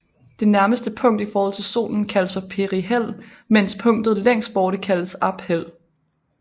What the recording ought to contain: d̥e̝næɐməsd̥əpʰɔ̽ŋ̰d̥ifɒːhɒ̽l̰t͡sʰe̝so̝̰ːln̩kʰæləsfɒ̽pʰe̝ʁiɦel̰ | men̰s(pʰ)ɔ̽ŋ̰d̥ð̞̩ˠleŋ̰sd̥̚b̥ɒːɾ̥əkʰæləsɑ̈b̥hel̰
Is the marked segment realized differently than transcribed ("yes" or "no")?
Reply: no